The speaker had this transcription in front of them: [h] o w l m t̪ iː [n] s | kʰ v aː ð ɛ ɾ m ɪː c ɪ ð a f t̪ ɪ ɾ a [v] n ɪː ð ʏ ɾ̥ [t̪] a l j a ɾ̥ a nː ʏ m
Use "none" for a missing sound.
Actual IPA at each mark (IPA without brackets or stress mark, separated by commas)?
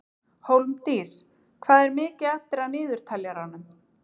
h, none, ð, t̪ʰ